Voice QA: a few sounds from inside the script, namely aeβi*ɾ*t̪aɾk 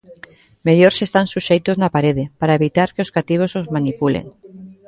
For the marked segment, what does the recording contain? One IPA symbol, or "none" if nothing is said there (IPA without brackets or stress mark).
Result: none